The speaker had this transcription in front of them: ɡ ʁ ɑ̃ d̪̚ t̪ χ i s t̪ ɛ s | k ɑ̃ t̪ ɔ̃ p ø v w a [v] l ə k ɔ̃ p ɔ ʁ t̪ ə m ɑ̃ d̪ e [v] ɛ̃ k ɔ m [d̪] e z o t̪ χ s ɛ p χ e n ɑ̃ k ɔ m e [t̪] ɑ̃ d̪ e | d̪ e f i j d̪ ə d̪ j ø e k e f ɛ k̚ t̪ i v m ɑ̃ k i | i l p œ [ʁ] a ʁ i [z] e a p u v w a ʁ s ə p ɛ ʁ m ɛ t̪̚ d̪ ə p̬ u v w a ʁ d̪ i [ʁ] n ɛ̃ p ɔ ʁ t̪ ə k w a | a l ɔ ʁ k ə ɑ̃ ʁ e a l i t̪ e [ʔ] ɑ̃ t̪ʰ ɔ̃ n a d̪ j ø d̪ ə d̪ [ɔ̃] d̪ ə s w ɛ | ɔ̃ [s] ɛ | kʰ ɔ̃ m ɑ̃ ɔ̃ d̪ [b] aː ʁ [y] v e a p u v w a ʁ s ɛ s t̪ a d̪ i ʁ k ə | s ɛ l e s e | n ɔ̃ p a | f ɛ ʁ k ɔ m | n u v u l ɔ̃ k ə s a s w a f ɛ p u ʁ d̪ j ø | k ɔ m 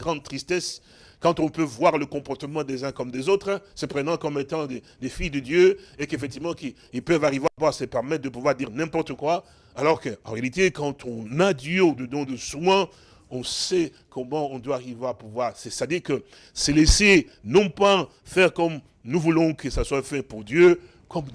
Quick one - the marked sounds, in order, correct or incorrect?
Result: incorrect: ʁ, incorrect: z, correct, correct, incorrect: v, incorrect: v, correct, incorrect: k, correct, correct, incorrect: w, incorrect: i

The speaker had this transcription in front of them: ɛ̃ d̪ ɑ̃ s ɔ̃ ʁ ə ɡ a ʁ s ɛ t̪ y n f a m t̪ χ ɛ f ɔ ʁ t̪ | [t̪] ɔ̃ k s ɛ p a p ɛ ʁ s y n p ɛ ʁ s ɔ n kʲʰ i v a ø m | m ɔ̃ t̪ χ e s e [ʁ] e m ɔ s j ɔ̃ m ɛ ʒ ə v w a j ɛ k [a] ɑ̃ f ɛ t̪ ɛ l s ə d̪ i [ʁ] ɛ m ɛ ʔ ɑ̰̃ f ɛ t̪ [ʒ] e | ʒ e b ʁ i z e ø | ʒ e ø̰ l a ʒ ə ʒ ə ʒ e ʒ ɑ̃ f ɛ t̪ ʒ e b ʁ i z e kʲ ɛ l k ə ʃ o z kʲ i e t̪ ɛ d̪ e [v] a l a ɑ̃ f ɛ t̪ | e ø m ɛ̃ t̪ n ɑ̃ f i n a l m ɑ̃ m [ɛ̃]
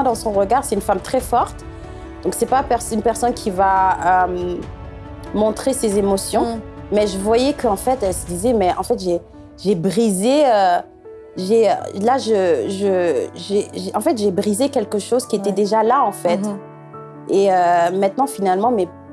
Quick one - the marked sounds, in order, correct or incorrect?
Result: incorrect: d̪, incorrect: z, incorrect: ə, incorrect: z, correct, incorrect: ʒ, incorrect: ɛ

